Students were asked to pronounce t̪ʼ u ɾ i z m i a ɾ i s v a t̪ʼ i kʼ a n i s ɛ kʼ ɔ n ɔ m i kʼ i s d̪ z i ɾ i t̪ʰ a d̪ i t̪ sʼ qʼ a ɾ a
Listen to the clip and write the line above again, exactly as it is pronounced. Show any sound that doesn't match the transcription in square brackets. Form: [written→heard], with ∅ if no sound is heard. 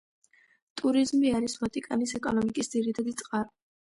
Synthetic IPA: t̪ʼ u ɾ i z m i a ɾ i s v a t̪ʼ i kʼ a n i s ɛ kʼ ɔ n ɔ m i kʼ i s d̪ z i ɾ i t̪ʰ a d̪ i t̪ sʼ qʼ a ɾ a